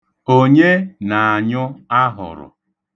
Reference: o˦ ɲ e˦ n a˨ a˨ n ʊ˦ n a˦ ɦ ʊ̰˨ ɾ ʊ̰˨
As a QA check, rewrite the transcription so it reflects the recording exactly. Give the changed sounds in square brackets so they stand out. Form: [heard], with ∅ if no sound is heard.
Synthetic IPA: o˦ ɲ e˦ n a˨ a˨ [ɲ] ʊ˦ [∅] a˦ ɦ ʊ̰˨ ɾ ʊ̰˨